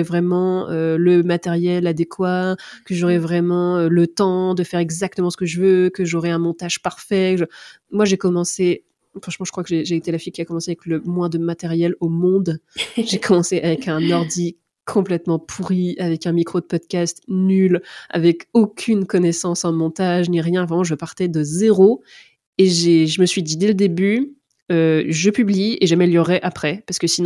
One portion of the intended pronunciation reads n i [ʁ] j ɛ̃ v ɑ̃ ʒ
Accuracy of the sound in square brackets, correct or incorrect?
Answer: correct